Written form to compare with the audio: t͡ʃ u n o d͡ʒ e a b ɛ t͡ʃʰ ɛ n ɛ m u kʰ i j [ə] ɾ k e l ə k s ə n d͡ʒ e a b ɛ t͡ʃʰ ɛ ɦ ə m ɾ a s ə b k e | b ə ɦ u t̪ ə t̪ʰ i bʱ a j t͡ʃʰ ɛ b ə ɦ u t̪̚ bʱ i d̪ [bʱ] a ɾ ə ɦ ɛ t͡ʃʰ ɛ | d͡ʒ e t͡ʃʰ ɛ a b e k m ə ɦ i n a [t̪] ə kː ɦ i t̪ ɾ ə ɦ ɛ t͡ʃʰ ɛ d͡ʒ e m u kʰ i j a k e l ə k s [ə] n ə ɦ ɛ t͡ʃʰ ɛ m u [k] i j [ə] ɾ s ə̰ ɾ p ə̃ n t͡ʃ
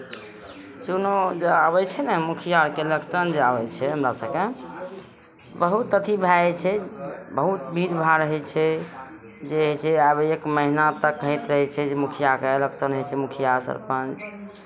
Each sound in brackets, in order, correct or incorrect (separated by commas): incorrect, correct, correct, correct, incorrect, incorrect